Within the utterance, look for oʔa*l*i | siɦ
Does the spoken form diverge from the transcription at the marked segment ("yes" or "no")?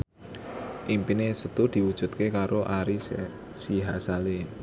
yes